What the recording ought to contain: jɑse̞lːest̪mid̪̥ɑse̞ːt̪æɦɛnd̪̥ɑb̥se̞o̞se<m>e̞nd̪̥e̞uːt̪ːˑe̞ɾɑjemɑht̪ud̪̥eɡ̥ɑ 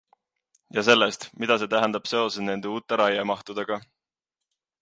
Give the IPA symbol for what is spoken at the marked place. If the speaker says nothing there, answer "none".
n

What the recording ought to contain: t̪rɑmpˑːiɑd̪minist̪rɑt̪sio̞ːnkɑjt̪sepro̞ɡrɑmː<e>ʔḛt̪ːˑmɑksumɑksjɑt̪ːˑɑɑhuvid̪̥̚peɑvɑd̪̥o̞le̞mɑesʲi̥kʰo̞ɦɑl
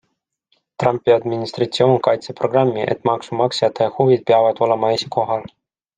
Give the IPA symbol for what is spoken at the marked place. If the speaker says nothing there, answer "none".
i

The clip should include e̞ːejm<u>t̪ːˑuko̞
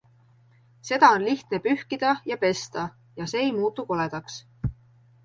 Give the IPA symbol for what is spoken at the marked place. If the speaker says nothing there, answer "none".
uː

